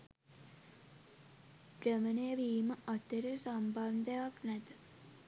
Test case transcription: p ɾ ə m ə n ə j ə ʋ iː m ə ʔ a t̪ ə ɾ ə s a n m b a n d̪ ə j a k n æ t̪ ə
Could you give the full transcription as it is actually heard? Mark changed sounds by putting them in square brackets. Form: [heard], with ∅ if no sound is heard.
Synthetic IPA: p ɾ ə m ə n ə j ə ʋ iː m ə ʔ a t̪ ə ɾ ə s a [∅] m b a n d̪ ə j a k n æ t̪ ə